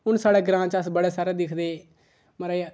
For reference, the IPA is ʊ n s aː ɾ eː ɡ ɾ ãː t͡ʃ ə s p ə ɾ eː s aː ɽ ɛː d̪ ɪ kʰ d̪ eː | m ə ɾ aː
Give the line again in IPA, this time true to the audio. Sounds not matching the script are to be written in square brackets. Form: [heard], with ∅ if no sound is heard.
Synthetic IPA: ʊ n s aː [ɽ] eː ɡ ɾ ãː t͡ʃ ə s [b] ə [ɽ] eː s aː [ɾ] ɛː d̪ ɪ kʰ d̪ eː | m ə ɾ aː